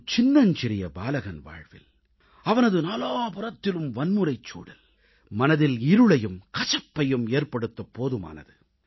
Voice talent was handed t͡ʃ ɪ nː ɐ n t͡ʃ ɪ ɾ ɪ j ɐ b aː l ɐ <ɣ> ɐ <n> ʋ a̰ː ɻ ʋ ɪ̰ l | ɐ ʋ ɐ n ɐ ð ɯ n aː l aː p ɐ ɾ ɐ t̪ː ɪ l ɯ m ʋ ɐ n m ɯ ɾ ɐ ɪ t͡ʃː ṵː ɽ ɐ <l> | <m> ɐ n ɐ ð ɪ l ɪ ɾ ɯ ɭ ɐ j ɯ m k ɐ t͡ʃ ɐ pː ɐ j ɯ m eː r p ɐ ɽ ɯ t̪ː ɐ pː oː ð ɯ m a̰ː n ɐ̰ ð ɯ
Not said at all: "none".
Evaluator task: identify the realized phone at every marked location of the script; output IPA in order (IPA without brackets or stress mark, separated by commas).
ɣ, n, l, m